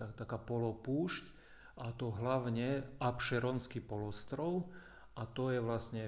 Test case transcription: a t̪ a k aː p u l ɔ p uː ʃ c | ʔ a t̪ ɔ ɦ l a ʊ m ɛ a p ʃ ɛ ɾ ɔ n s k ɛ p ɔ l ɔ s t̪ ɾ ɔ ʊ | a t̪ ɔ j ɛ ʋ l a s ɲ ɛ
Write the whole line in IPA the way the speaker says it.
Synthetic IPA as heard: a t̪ a k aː p ɔ l ɔ p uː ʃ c | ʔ a t̪ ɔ ɦ l a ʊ ɲ ɛ a p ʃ ɛ ɾ ɔ n s k i p ɔ l ɔ s t̪ ɾ ɔ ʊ | a t̪ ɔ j ɛ ʋ l a s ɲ ɛ